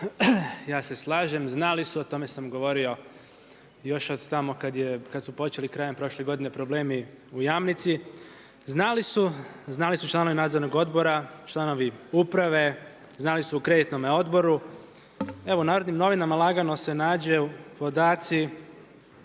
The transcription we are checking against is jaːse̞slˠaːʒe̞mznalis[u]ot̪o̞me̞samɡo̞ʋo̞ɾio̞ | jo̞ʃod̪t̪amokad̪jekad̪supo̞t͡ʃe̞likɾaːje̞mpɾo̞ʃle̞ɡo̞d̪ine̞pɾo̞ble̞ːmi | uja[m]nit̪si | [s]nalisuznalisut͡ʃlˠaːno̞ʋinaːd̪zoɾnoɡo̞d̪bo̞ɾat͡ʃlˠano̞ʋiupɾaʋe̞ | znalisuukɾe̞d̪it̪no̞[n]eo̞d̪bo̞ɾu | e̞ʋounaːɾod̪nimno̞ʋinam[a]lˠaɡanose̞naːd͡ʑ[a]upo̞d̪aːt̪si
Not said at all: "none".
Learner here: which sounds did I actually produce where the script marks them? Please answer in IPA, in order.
u, m, z, m, a, e

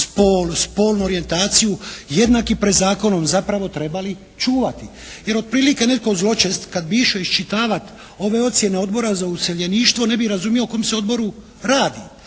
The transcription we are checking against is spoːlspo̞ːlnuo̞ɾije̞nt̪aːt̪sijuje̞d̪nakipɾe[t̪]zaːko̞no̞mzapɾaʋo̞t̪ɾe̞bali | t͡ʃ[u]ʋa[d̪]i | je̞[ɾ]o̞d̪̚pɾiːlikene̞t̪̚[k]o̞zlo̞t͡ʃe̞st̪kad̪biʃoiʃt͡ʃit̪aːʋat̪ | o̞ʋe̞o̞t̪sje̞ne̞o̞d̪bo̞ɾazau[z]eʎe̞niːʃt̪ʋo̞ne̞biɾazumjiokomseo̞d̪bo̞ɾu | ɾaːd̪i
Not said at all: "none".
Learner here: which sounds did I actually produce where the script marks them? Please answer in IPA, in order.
d̪, uː, t̪, ɾ, k, s

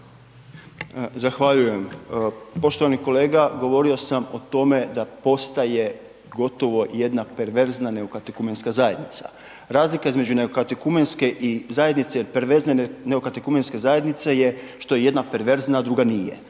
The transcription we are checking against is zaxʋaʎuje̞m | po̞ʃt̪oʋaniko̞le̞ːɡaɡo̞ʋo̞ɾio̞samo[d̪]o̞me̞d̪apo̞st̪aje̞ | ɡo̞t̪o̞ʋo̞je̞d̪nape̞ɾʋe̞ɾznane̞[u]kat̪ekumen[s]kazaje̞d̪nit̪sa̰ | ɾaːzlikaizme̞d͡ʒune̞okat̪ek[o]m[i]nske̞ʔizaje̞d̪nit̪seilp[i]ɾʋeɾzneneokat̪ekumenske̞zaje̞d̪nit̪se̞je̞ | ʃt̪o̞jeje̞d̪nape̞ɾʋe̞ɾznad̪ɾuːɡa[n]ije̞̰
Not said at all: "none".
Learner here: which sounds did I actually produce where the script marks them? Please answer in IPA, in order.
t̪, o, s, u, e, e, n

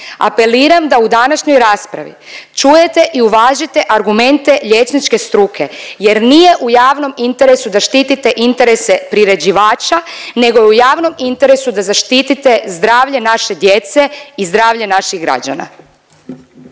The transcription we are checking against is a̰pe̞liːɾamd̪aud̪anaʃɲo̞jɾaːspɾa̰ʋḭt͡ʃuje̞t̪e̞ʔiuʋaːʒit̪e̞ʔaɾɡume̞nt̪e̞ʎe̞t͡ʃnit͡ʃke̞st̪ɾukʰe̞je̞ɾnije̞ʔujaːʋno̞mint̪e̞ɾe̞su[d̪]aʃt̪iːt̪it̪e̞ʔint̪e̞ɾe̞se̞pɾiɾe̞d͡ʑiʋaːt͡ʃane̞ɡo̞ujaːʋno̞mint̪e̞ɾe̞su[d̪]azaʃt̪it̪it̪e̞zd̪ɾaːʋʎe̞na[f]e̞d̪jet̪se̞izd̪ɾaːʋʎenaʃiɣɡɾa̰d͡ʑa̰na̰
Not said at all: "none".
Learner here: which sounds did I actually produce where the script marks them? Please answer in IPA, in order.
d̪, d̪, ʃ

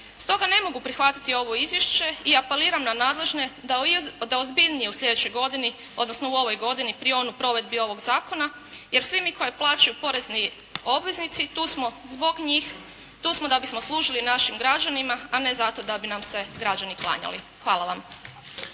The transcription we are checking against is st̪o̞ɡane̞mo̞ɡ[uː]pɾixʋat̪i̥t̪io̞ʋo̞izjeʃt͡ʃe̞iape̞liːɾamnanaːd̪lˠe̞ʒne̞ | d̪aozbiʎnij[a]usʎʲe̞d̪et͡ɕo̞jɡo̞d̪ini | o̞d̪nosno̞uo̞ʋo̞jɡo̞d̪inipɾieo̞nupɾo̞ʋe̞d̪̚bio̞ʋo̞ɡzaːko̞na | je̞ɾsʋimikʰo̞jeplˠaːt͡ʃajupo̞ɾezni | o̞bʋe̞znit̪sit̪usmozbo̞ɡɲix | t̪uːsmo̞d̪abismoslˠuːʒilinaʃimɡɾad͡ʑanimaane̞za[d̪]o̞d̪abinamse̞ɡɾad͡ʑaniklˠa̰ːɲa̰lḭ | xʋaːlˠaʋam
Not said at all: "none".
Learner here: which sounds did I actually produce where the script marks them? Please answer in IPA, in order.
u, e, t̪

